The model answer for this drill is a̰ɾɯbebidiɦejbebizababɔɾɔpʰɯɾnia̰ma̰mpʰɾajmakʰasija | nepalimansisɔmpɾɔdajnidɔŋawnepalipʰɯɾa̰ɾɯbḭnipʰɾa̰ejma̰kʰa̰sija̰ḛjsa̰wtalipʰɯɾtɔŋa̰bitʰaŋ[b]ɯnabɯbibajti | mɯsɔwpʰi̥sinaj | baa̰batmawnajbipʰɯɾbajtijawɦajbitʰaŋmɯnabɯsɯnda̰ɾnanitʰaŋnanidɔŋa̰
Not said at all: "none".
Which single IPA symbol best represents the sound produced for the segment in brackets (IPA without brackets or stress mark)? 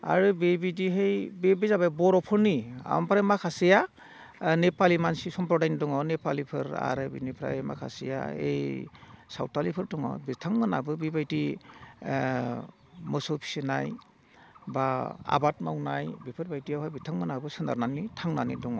m